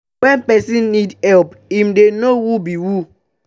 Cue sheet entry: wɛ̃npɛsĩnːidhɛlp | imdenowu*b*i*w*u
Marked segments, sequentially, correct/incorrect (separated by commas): correct, correct